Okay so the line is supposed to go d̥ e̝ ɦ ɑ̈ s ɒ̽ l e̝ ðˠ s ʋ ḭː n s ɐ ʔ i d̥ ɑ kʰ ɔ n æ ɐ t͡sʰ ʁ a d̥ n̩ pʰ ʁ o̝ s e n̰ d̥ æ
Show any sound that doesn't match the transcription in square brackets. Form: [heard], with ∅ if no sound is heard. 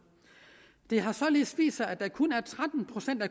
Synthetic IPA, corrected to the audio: d̥ e̝ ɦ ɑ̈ s ɒ̽ l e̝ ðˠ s ʋ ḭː [∅] s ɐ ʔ [æ] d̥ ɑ kʰ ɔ n æ ɐ t͡sʰ ʁ a d̥ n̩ pʰ ʁ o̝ s e n̰ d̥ æ